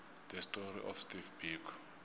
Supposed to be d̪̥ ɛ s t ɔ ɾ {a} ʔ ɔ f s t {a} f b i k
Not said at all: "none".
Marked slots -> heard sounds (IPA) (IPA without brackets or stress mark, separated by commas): i, i